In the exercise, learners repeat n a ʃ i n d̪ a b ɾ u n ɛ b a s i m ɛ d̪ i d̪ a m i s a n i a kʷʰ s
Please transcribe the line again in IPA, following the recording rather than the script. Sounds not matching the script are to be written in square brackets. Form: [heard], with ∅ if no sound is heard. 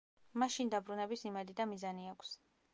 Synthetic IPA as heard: [m] a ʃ i n d̪ a b ɾ u n ɛ b [i] s i m ɛ d̪ i d̪ a m i [z] a n i a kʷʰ s